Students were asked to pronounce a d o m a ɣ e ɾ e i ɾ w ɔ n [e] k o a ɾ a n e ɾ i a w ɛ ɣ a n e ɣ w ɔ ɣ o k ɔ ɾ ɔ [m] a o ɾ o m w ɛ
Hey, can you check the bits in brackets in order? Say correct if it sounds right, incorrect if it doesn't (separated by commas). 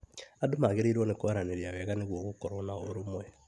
correct, incorrect